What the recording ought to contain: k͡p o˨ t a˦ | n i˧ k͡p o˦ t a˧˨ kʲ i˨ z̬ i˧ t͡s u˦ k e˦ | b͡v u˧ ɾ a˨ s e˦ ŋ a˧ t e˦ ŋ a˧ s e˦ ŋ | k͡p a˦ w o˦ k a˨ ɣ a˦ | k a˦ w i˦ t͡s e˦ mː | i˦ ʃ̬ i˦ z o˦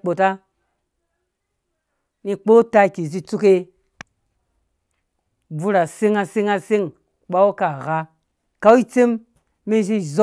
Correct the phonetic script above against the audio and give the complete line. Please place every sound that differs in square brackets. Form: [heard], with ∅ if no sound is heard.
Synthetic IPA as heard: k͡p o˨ t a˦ | n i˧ k͡p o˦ t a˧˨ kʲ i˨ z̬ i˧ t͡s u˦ k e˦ | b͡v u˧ ɾ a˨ s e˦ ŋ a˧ [s] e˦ ŋ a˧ s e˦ ŋ | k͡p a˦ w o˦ k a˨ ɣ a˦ | k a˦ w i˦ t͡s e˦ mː | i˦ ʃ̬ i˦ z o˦